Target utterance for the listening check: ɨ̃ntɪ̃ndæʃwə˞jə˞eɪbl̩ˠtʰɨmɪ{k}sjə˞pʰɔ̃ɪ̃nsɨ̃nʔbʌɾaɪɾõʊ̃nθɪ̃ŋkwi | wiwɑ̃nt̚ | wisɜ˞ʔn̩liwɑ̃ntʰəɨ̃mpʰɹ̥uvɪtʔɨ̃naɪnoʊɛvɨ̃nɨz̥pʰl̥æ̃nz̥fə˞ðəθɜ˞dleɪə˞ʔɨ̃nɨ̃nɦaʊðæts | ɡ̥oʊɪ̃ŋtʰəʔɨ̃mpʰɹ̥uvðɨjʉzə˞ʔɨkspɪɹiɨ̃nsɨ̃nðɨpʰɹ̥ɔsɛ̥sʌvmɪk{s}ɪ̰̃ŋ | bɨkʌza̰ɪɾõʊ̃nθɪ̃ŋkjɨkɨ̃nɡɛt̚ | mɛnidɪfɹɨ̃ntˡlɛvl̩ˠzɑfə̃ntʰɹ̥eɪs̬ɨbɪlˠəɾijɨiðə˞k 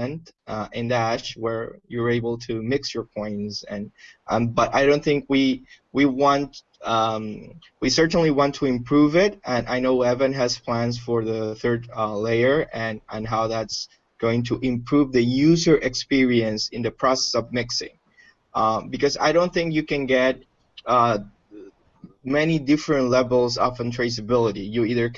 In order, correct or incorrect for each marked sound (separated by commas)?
correct, correct